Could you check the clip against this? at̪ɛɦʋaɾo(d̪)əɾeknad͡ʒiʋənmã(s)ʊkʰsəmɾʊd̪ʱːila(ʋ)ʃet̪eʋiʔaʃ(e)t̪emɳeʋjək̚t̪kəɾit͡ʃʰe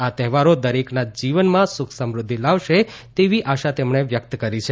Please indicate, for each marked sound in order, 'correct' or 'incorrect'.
correct, correct, correct, incorrect

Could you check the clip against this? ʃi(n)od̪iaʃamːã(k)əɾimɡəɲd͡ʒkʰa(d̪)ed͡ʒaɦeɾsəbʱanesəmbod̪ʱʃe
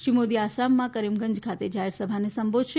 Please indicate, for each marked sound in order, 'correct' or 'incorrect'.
incorrect, correct, incorrect

